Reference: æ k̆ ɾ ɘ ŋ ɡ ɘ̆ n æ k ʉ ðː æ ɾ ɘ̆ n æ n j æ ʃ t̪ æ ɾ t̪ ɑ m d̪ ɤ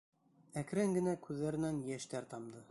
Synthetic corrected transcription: æ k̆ ɾ ɘ ŋ ɡ ɘ̆ n æ k ʉ ðː æ ɾ ɘ̆ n æ n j æ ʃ t̪ æ ɾ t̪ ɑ m d̪ ɤ